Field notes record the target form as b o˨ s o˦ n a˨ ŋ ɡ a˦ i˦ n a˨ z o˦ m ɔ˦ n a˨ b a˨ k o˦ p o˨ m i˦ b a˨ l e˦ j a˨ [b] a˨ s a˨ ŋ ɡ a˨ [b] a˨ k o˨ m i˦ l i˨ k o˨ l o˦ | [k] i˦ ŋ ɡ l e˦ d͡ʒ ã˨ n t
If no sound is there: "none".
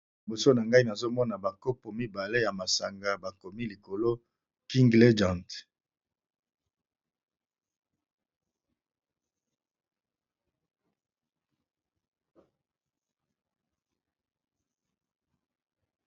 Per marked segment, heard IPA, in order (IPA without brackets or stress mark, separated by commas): m, b, k